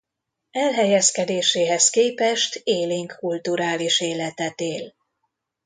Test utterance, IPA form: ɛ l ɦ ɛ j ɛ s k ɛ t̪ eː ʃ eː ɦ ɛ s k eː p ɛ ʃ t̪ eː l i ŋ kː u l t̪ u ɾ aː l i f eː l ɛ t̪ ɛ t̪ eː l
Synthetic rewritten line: ɛ l ɦ ɛ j ɛ s k ɛ d̪ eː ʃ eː ɦ ɛ s k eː p ɛ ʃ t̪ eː l i ŋ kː u l t̪ u ɾ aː l i ʃ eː l ɛ t̪ ɛ t̪ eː l